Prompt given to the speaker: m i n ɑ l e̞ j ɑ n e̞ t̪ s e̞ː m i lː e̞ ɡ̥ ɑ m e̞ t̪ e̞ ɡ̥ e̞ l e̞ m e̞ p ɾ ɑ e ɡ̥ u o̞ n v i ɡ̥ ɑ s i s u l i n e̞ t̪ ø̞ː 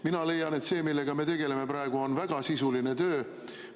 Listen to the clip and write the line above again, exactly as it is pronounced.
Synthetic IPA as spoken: m i n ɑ l e̞ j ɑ n e̞ t̪ s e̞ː m i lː e̞ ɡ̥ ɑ m e̞ t̪ e̞ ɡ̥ e̞ l e̞ m e̞ p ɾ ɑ e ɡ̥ u o̞ n v æ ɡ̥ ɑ s i s u l i n e̞ t̪ ø̞ː